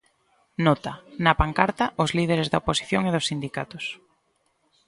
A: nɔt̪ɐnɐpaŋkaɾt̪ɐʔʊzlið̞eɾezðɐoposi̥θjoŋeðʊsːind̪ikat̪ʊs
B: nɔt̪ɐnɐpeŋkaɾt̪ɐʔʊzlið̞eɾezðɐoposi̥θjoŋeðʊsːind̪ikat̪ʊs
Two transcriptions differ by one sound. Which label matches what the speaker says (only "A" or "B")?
A